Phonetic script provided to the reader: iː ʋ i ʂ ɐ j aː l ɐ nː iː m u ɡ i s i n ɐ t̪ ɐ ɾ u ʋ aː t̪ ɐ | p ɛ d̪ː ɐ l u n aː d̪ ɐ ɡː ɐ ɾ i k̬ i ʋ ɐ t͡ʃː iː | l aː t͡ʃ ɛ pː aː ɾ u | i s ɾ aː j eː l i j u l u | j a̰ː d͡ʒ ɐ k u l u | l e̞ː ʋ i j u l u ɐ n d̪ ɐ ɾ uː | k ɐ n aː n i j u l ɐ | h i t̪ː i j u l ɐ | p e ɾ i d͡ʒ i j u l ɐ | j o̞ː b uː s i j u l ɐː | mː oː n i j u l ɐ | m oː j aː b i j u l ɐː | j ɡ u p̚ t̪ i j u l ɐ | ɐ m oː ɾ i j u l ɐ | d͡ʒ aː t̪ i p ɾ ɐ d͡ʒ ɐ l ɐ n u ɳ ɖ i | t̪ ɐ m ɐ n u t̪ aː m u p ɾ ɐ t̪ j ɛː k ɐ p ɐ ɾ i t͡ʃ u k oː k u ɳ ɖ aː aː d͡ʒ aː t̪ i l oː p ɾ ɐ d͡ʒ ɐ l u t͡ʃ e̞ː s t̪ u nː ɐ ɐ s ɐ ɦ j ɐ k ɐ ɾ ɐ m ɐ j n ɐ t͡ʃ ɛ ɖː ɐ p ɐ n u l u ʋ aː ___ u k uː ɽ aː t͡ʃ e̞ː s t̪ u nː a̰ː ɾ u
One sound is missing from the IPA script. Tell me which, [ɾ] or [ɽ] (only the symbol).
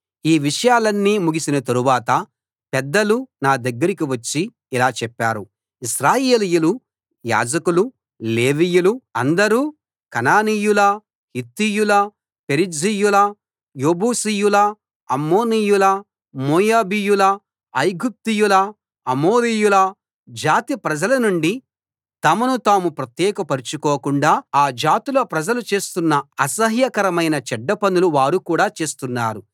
ɾ